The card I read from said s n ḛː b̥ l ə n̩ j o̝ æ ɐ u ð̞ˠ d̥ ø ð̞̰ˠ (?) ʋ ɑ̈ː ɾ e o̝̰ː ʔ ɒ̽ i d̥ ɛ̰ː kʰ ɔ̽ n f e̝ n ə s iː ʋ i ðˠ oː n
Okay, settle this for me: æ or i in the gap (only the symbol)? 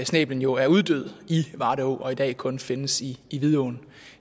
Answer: i